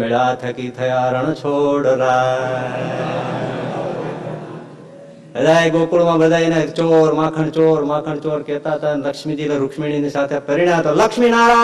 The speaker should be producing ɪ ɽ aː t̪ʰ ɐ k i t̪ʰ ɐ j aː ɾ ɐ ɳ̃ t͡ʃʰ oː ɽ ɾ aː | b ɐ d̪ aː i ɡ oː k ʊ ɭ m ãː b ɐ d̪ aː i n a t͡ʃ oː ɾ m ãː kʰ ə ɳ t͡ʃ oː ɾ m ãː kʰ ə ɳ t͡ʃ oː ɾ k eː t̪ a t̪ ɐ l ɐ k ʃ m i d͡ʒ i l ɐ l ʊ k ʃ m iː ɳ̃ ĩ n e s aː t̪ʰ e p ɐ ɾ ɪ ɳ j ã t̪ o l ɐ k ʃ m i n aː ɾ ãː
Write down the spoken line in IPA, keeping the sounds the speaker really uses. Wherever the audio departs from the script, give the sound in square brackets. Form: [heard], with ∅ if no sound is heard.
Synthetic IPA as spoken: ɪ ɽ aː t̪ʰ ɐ k i t̪ʰ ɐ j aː ɾ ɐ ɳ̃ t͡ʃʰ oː ɽ ɾ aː | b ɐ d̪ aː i ɡ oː k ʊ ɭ m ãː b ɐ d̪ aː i n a t͡ʃ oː ɾ m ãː kʰ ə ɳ t͡ʃ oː ɾ m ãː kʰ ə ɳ t͡ʃ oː ɾ k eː t̪ a t̪ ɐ l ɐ k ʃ m i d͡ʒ i l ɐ [ɾ] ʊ k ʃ m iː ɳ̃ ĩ n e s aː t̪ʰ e p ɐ ɾ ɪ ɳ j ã t̪ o l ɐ k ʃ m i n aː ɾ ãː